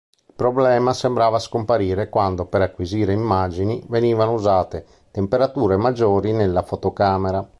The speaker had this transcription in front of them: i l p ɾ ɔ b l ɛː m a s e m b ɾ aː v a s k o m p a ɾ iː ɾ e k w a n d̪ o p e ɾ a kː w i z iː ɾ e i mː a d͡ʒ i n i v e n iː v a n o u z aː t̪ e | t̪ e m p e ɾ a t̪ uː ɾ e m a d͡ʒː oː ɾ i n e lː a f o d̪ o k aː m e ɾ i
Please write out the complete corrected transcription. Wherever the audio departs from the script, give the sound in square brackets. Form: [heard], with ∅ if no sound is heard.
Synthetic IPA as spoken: i l p ɾ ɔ b l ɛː m a s e m b ɾ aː v a s k o m p a ɾ iː ɾ e k w a n d̪ o p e ɾ a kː w i z iː ɾ e i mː a d͡ʒ i n i v e n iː v a n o u z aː t̪ e | t̪ e m p e ɾ a t̪ uː ɾ e m a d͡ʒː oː ɾ i n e lː a f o [t̪] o k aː m e ɾ [a]